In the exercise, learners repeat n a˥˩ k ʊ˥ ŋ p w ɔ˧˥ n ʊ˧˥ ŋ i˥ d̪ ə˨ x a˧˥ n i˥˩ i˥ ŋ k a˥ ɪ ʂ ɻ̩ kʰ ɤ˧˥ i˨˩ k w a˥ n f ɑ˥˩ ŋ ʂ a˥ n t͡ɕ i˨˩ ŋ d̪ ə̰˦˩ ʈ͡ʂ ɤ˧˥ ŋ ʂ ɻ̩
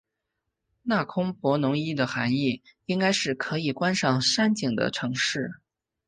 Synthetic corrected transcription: n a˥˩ kʰ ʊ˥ ŋ p w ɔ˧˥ n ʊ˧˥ ŋ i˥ d̪ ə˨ x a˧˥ n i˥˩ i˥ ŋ k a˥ ɪ ʂ ɻ̩ kʰ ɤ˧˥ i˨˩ k w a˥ n ʂ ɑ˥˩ ŋ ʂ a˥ n t͡ɕ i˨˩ ŋ d̪ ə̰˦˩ ʈ͡ʂʰ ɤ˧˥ ŋ ʂ ɻ̩